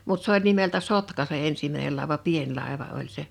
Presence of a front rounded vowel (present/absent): absent